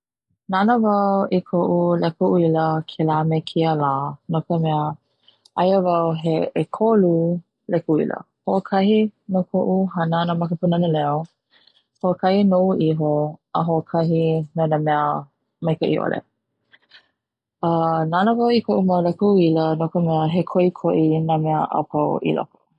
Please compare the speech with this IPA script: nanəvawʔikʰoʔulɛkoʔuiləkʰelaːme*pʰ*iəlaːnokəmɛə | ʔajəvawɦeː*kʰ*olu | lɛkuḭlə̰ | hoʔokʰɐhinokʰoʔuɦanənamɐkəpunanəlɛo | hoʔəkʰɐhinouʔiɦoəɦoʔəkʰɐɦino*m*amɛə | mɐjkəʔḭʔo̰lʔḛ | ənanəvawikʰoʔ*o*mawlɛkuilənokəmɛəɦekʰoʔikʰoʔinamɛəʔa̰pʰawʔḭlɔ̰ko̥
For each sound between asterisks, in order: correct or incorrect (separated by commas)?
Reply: incorrect, correct, incorrect, incorrect